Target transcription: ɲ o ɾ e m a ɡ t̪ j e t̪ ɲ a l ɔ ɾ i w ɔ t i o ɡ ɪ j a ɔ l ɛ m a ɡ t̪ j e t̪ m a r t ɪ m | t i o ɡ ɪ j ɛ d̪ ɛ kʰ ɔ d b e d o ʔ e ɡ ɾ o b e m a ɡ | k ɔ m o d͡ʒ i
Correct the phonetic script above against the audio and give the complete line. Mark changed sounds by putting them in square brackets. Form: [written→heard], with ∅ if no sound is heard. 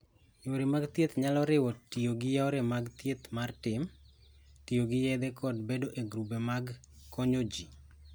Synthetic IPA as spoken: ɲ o ɾ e m a ɡ t̪ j e t̪ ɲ a l ɔ ɾ [i→ɪ] w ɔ t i o ɡ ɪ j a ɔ [l→ɾ] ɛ m a ɡ t̪ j e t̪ m a r t ɪ m | t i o ɡ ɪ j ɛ d̪ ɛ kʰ ɔ d b e d o ʔ e ɡ ɾ [o→u] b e m a ɡ | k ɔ [m→ɲ] o d͡ʒ i